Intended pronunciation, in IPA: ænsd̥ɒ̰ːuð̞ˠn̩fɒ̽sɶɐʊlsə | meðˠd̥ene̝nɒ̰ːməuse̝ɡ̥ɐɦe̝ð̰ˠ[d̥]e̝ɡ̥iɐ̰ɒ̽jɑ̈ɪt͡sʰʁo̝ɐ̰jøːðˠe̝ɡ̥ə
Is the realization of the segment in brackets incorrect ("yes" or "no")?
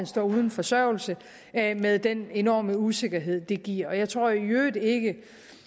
no